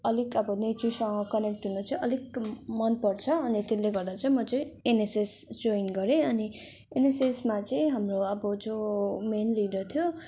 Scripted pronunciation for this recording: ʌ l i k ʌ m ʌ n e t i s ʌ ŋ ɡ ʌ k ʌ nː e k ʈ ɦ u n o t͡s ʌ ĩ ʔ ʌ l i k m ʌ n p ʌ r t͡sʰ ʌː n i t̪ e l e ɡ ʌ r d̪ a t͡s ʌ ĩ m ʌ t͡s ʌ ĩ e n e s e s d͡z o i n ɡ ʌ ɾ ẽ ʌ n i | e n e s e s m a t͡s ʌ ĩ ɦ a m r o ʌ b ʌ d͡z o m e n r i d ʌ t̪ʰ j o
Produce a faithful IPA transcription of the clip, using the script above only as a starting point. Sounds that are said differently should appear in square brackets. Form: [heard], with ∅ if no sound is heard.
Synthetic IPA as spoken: ʌ l i k ʌ [b] ʌ n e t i s ʌ ŋ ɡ ʌ k ʌ [n] e k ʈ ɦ u n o t͡s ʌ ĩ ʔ ʌ l i k m ʌ n p ʌ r t͡sʰ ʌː n i t̪ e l e ɡ ʌ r d̪ a t͡s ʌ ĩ m ʌ t͡s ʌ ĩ e n e s e s d͡z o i n ɡ ʌ ɾ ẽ ʌ n i | e n e s e s m a t͡s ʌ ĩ ɦ a m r o ʌ b ʌ d͡z o m e n [l] i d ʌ t̪ʰ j o